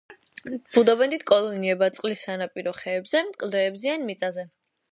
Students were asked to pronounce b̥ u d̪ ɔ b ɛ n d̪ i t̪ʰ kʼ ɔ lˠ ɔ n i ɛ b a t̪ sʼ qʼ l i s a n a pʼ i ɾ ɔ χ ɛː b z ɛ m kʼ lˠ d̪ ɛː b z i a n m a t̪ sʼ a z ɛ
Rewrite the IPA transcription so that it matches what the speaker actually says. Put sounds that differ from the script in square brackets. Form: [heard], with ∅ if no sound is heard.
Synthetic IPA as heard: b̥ u d̪ ɔ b ɛ n d̪ i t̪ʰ kʼ ɔ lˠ ɔ n i ɛ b a t̪ sʼ qʼ l i s a n a pʼ i ɾ ɔ χ ɛː b z ɛ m kʼ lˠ d̪ ɛː b z i a n m [i] t̪ sʼ a z ɛ